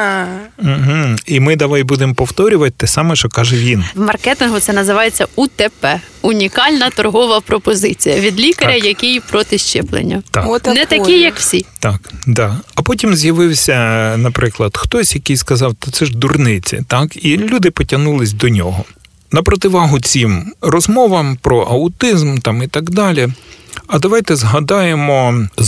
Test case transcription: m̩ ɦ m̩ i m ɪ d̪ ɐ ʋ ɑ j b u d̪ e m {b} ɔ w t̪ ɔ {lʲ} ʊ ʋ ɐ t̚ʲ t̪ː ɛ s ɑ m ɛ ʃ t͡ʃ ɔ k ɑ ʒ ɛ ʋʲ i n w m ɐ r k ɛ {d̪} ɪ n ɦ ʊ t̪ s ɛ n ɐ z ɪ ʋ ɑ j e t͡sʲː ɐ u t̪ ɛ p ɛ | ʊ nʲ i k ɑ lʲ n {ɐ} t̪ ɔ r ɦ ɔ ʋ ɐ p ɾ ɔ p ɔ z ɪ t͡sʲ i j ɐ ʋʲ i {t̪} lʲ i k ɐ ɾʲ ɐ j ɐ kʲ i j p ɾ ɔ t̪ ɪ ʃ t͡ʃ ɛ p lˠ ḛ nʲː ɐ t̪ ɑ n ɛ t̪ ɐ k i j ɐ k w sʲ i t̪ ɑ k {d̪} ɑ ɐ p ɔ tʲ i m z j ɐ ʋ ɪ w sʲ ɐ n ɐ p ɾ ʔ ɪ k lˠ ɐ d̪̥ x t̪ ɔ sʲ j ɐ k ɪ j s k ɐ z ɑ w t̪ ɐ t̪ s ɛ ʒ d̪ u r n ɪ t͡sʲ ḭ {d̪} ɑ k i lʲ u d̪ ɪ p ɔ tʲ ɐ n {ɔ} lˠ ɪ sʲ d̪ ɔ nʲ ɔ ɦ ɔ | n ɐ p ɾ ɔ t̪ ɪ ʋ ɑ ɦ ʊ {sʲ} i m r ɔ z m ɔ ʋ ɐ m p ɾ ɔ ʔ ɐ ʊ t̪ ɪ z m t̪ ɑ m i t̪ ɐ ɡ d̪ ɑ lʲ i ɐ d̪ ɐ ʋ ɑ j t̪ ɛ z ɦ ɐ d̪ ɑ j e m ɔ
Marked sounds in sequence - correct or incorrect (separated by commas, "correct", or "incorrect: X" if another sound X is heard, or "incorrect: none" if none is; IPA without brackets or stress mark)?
incorrect: p, incorrect: ɾʲ, incorrect: t̪, correct, incorrect: d̪, correct, incorrect: t̪, incorrect: u, incorrect: t͡sʲ